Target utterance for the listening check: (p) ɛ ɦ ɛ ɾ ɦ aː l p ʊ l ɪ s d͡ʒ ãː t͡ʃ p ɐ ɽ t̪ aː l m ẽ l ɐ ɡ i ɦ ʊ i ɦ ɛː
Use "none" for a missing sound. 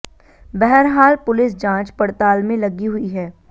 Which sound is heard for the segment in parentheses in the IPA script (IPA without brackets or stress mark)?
b